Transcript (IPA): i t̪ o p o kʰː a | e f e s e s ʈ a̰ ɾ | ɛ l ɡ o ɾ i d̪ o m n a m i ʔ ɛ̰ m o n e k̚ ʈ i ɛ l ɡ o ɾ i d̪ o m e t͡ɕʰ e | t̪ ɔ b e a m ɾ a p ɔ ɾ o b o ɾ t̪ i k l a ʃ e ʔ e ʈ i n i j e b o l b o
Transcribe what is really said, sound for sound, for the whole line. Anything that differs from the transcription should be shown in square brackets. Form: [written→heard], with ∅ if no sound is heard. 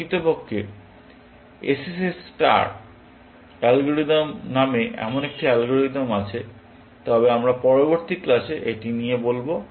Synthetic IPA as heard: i t̪ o p o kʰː [a→e] | e [f→s] e s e s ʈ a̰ ɾ | ɛ l ɡ o ɾ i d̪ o m n a m [i→e] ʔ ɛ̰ m o n e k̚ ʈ i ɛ l ɡ o ɾ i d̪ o m [e→a] t͡ɕʰ e | t̪ ɔ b e a m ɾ a p ɔ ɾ o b o ɾ t̪ i k l a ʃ e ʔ e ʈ i n i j e b o l b o